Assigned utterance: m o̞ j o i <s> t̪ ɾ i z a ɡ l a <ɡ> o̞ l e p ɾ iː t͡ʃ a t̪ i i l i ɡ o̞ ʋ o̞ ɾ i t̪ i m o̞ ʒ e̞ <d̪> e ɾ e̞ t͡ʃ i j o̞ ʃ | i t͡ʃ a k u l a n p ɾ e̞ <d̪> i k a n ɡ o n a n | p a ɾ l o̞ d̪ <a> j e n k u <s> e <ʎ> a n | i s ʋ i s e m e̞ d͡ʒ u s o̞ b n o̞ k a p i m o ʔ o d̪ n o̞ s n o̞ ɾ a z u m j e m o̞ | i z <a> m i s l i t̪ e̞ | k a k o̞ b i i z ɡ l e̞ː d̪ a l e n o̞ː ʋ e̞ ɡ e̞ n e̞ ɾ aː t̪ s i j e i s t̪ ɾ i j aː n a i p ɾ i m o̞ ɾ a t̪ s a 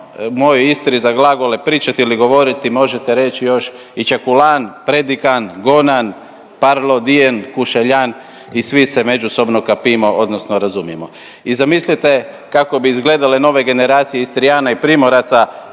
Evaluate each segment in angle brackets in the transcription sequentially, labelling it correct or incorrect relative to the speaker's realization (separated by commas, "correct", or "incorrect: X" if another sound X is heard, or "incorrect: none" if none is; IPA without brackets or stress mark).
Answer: correct, correct, incorrect: t̪, correct, incorrect: i, incorrect: ʃ, correct, correct